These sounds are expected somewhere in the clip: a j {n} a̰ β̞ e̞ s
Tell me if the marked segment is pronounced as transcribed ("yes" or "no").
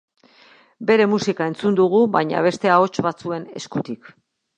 no